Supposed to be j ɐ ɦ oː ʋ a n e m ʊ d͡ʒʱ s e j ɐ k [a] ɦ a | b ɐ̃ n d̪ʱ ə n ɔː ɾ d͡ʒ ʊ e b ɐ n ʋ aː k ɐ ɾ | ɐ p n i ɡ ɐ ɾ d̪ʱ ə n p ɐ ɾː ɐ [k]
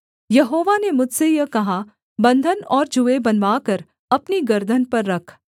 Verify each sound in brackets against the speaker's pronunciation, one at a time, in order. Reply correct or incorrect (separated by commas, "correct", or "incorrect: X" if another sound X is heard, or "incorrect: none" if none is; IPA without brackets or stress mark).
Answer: incorrect: ɐ, incorrect: kʰ